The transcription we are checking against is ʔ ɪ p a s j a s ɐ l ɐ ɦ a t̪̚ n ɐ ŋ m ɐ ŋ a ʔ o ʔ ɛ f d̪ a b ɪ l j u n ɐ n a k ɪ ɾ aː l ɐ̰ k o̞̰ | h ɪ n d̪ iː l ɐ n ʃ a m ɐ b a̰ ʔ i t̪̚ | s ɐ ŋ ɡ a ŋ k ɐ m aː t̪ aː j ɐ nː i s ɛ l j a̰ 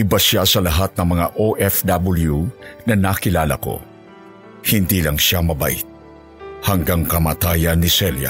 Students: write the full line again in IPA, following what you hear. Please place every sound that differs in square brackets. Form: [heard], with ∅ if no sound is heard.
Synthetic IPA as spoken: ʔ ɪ [b] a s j a s ɐ l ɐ ɦ a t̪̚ n ɐ ŋ m ɐ ŋ a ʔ o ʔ ɛ f d̪ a b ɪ l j u n ɐ n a k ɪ [l] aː l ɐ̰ k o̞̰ | h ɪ n d̪ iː l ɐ [ŋ] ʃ a m ɐ b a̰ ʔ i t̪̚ | [h] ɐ ŋ ɡ a ŋ k ɐ m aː t̪ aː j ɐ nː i s ɛ l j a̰